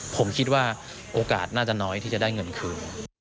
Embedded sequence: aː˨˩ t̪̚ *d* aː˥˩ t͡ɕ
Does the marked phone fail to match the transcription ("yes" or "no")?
yes